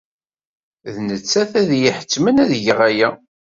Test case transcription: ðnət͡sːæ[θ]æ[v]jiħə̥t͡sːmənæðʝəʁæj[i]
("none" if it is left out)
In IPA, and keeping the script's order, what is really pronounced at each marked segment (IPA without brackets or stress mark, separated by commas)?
θ, ð, æ